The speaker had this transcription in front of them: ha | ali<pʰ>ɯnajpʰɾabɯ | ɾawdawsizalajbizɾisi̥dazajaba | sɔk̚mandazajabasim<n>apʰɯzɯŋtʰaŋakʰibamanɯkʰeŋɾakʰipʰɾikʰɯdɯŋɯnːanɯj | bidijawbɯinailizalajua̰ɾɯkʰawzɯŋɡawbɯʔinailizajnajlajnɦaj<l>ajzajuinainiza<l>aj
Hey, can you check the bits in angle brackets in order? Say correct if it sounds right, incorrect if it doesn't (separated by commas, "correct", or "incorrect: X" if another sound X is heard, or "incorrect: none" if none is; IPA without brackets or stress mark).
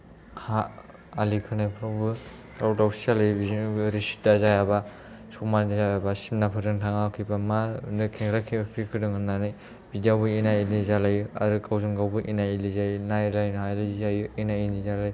incorrect: kʰ, correct, correct, correct